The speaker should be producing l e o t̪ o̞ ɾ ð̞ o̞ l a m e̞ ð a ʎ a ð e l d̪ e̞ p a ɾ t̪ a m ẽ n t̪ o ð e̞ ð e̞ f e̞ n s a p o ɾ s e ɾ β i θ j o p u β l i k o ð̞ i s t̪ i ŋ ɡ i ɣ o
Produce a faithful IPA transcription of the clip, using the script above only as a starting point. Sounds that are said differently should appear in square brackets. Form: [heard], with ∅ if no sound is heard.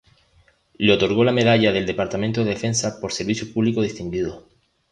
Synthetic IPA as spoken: l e o t̪ o̞ ɾ [ɣ̞] o̞ l a m e̞ ð a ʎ a ð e l d̪ e̞ p a ɾ t̪ a m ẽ n t̪ o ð e̞ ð e̞ f e̞ n s a p o ɾ s e ɾ β i θ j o p u β l i k o ð̞ i s t̪ i ŋ ɡ i [ð] o